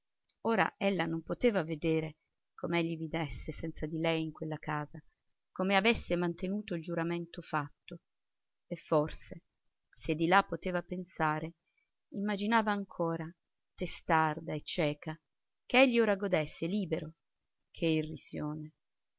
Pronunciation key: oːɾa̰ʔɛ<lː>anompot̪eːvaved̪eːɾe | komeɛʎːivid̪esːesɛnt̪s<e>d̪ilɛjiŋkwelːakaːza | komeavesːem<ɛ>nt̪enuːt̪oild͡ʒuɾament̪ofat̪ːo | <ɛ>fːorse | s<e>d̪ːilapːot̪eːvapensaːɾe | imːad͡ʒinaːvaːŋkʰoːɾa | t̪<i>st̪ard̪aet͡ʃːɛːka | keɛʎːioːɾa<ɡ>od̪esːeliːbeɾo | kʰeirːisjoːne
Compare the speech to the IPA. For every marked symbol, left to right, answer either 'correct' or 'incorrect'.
correct, incorrect: a, incorrect: a, incorrect: e, correct, incorrect: e, correct

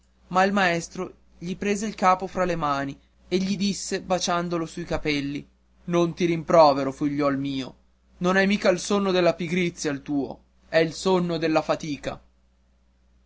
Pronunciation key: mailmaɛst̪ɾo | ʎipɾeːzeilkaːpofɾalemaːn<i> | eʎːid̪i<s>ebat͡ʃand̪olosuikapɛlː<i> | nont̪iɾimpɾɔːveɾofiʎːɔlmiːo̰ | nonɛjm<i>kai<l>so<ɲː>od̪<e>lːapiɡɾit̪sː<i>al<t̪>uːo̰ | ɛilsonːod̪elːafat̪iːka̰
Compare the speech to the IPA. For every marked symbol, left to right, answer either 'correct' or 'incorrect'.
correct, incorrect: sː, correct, incorrect: iː, correct, incorrect: nː, correct, incorrect: j, correct

